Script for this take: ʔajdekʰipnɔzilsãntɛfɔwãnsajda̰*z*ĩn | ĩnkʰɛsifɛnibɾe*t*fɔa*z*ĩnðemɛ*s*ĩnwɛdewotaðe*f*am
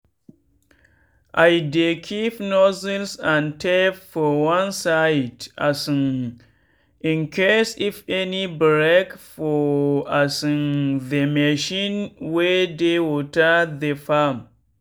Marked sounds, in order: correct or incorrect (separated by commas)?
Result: incorrect, incorrect, incorrect, incorrect, correct